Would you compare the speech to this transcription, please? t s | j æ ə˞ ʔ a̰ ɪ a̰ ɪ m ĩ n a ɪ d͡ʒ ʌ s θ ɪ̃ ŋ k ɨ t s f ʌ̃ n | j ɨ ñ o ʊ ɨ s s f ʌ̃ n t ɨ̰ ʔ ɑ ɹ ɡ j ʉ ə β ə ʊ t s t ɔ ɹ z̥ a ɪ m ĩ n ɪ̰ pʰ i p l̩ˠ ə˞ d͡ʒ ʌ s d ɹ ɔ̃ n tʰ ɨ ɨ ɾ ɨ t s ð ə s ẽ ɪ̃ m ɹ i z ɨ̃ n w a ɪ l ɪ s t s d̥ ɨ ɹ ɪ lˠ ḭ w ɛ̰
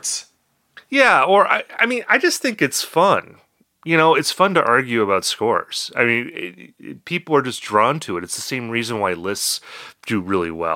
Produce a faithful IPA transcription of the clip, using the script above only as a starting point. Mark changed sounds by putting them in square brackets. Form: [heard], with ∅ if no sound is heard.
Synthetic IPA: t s | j æ ə˞ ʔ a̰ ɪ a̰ ɪ m ĩ n a ɪ d͡ʒ ʌ s θ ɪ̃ ŋ k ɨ t s f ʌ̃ n | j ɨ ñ o ʊ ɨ [t] s f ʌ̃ n t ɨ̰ ʔ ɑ ɹ ɡ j ʉ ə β [a] ʊ t s [k] ɔ ɹ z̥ a ɪ m ĩ n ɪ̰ pʰ i p l̩ˠ ə˞ d͡ʒ ʌ s d ɹ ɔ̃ n tʰ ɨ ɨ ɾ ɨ t s ð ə s ẽ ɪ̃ m ɹ i z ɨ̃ n w a ɪ l ɪ s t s d̥ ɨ ɹ ɪ lˠ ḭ w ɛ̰